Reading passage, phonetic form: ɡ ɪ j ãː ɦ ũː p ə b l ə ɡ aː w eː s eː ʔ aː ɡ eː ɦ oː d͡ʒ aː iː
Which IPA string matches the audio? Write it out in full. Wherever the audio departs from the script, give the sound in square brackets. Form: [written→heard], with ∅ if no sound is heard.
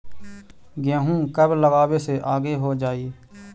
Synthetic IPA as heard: ɡ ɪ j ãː ɦ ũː [p→k] ə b l ə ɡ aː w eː s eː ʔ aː ɡ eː ɦ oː d͡ʒ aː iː